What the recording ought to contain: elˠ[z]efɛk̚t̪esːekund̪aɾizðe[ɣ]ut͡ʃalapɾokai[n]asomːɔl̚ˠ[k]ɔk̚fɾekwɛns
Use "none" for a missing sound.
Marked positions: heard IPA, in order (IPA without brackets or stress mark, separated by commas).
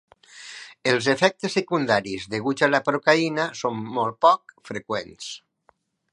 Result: z, ɣ, n, p